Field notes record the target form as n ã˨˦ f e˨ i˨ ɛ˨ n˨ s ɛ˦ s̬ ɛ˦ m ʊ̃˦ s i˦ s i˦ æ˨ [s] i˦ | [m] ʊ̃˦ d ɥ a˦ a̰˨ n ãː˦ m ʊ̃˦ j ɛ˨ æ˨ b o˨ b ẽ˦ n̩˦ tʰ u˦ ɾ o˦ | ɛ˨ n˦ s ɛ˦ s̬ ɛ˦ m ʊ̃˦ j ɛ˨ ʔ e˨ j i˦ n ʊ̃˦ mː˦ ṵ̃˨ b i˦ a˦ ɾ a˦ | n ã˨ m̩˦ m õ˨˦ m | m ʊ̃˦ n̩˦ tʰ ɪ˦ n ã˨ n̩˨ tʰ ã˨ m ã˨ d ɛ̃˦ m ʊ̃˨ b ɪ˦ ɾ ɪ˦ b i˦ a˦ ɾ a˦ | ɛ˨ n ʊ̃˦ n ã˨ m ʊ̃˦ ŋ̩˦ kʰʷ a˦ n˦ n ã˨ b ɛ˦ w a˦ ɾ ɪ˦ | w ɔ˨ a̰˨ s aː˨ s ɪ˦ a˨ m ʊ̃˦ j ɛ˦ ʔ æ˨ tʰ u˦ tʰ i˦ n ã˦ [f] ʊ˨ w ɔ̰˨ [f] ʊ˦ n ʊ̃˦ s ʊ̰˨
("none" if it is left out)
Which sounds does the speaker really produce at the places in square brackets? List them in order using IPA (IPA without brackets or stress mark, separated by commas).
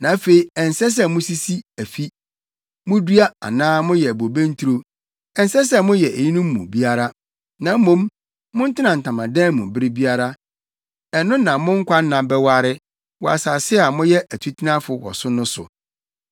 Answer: f, m, f, s